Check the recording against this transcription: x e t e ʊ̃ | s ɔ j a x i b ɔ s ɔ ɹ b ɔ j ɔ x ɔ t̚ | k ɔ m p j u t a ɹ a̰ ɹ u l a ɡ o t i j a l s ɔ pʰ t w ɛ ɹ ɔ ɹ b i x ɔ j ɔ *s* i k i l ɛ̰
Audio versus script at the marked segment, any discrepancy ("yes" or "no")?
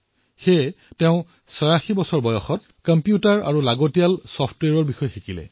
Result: yes